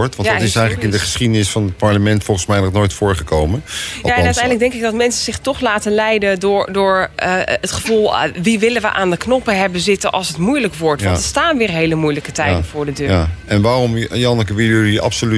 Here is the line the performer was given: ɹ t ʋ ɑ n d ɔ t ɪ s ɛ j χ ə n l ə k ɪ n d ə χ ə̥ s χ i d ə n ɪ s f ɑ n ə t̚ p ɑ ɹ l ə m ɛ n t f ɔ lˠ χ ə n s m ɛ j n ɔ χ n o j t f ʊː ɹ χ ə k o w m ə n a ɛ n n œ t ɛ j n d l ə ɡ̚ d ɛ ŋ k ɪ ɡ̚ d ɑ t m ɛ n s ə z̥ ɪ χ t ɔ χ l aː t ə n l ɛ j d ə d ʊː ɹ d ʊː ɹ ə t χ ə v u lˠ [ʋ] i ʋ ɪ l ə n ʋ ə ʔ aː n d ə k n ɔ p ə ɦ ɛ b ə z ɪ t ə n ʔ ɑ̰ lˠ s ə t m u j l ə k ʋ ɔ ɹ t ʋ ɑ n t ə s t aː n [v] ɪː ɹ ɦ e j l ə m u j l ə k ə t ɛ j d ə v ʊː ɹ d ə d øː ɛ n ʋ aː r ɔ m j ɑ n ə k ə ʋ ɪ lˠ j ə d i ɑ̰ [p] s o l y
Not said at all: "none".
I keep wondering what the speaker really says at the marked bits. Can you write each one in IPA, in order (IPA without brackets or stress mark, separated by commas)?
ʋ, ʋ, p